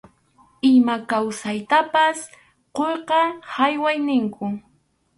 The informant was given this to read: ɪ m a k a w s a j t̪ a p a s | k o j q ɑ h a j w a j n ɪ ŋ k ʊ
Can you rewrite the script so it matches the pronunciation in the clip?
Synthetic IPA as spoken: ɪ m a k a w s a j t̪ a p a s | q o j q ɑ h a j w a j n ɪ ŋ k ʊ